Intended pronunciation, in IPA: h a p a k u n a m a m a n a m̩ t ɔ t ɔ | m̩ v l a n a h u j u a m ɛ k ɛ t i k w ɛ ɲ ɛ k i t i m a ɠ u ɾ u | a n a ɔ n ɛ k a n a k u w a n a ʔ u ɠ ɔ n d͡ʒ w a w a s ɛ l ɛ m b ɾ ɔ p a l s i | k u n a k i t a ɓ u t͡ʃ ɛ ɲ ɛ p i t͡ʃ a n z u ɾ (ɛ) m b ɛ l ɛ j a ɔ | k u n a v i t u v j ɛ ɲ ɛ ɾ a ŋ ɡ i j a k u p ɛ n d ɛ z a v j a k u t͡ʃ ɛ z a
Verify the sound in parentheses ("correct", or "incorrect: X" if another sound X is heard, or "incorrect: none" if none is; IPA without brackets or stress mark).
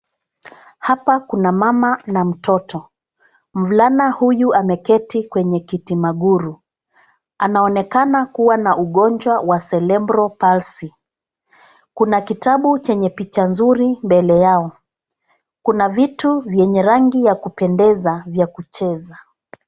incorrect: i